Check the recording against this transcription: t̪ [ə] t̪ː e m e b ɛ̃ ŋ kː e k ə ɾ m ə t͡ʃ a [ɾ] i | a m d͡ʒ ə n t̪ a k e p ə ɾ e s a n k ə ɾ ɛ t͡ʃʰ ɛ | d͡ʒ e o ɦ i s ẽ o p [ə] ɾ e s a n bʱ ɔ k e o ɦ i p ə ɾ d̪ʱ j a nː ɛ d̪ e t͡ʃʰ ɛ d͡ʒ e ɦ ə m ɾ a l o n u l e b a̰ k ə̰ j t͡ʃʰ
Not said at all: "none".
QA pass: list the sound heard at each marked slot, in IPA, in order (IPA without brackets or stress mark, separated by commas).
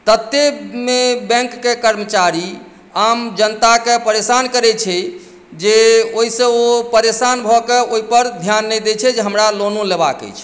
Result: ə, ɾ, ə